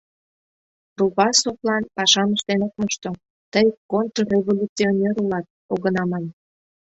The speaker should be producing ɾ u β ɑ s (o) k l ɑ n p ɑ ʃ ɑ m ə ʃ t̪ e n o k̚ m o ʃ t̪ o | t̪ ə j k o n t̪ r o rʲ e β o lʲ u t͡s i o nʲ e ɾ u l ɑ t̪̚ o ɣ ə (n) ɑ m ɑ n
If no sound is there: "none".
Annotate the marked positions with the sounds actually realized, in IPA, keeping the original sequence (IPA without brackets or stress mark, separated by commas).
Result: o, n